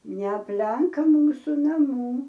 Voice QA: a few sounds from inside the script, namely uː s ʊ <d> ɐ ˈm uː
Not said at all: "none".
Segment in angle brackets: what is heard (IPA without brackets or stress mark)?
n